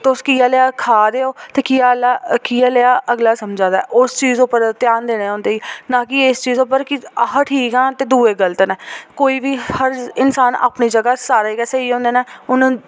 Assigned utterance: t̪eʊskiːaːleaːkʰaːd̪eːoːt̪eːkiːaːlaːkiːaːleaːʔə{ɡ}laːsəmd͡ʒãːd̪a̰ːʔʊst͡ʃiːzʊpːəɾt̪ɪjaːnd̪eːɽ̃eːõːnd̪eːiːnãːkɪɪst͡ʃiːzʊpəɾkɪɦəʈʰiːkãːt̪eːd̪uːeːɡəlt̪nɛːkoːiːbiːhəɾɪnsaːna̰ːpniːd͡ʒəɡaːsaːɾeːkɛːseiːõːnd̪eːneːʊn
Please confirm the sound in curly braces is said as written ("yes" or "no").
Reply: yes